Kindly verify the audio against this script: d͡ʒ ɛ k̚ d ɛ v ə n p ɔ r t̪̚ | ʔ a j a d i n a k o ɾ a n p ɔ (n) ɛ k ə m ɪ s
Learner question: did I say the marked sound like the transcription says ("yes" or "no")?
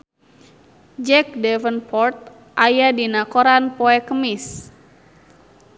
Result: no